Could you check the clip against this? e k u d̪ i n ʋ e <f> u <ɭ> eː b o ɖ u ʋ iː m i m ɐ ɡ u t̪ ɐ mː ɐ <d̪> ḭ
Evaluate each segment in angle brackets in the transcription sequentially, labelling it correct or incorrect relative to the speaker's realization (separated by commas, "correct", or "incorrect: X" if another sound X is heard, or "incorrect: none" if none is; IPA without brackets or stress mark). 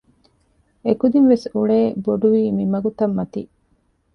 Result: incorrect: s, correct, incorrect: t̪